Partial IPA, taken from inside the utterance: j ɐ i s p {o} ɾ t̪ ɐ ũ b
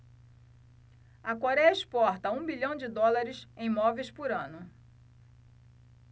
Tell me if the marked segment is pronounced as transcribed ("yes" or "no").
no